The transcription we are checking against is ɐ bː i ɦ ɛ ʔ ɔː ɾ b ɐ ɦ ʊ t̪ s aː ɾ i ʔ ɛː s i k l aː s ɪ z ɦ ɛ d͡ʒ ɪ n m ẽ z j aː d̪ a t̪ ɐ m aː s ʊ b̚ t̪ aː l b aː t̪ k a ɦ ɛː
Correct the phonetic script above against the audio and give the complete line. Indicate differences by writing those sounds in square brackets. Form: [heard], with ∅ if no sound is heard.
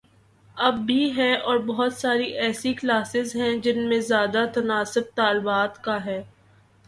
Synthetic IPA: ɐ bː i ɦ ɛ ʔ ɔː ɾ b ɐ ɦ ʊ t̪ s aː ɾ i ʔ ɛː s i k l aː s ɪ z ɦ [ɛ̃] d͡ʒ ɪ n m ẽ z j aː d̪ a t̪ ɐ [n] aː s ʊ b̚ t̪ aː l b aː t̪ k a ɦ ɛː